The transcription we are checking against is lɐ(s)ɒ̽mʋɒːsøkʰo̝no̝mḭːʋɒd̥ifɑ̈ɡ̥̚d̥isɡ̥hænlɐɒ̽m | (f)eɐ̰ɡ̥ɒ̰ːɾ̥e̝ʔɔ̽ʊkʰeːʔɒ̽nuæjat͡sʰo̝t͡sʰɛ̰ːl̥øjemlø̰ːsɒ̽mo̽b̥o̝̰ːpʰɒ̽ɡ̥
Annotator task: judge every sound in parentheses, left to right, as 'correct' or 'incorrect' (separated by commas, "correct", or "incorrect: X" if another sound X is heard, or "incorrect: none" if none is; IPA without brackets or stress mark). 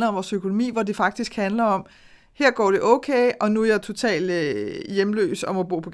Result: incorrect: none, incorrect: h